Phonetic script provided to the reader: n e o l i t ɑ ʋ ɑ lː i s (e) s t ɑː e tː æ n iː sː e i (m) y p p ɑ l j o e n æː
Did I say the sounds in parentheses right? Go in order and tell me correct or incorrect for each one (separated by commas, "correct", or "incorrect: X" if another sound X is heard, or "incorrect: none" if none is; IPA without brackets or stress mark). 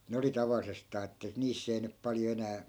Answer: correct, incorrect: n